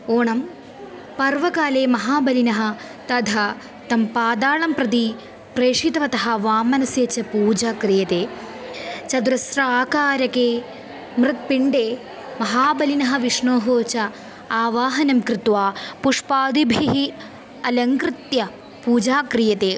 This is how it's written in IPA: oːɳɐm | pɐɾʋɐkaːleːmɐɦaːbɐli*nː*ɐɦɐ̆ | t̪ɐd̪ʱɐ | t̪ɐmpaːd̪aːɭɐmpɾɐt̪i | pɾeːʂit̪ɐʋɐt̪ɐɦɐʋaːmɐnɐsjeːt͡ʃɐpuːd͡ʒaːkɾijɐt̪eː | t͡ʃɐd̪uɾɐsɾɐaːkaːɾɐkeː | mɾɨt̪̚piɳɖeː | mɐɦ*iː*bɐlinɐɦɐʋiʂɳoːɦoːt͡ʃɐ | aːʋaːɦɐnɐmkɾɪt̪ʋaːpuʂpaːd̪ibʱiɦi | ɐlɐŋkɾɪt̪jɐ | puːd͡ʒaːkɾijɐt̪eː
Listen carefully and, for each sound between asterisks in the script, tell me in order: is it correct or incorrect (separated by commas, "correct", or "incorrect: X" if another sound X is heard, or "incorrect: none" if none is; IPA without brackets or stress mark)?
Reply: incorrect: n, incorrect: aː